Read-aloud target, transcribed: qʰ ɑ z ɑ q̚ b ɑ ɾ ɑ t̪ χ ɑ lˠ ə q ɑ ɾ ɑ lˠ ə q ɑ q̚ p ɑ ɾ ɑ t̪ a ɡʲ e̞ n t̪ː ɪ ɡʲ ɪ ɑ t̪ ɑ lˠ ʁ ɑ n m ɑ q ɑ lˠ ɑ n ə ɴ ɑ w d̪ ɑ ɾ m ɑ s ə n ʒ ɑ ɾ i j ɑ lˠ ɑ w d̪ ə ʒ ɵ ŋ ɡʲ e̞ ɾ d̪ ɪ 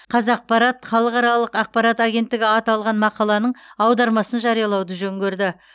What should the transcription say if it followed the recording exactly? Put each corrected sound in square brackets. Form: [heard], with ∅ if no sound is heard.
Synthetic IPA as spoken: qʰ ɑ z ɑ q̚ [p] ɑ ɾ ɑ t̪ χ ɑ lˠ ə q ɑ ɾ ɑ lˠ ə q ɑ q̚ p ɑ ɾ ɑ t̪ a ɡʲ e̞ n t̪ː ɪ ɡʲ ɪ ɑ t̪ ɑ lˠ ʁ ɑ n m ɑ q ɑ lˠ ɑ n ə ɴ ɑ w d̪ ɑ ɾ m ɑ s ə n ʒ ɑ ɾ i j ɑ lˠ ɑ w d̪ ə ʒ ɵ ŋ ɡʲ e̞ ɾ d̪ ɪ